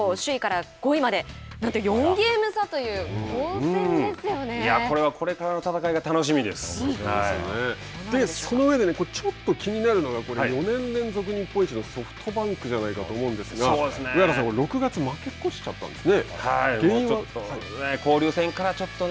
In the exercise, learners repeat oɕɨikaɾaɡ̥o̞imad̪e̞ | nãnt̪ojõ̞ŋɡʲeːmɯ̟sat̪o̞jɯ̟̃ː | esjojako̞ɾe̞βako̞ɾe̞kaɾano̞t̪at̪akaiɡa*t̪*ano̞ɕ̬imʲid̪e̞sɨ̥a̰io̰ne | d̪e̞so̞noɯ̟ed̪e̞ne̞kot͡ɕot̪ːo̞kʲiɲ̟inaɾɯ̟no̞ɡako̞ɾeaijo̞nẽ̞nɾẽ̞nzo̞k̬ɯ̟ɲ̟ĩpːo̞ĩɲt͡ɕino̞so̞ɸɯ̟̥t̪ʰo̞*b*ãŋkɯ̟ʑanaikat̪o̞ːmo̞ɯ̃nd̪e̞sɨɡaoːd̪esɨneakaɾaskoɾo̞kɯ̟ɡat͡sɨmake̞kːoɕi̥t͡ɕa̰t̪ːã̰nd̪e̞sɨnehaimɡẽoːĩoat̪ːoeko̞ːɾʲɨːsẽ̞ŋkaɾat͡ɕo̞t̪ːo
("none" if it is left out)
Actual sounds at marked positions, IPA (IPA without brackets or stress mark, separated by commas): t̪, b